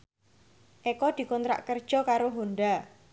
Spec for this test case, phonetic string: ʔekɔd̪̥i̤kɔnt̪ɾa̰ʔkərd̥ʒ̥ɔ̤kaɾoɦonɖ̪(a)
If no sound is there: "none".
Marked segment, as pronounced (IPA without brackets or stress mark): a